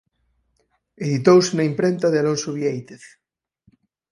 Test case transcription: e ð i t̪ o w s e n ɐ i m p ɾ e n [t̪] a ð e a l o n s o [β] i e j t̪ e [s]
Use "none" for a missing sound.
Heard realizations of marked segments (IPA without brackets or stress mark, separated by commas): t̪, β, θ